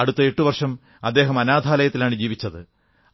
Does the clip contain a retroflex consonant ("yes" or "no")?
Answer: yes